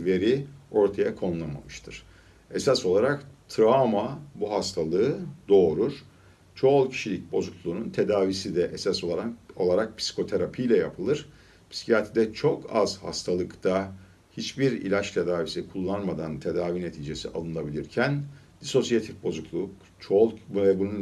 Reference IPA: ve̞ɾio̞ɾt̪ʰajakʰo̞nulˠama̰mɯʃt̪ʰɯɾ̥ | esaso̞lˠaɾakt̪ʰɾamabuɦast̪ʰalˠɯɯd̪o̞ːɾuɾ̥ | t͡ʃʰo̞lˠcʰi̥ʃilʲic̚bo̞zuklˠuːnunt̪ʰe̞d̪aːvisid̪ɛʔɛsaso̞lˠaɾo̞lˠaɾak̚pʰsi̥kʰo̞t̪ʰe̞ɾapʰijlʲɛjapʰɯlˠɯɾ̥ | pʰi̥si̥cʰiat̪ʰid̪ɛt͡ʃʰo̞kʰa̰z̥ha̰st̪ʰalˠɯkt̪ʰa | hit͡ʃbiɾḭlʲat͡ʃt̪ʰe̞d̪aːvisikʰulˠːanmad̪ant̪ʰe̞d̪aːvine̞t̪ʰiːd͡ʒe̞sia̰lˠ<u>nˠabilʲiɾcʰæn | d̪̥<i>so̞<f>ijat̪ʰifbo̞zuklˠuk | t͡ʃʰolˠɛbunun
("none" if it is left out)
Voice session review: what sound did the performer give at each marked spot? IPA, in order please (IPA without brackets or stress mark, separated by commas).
ɯ, i, s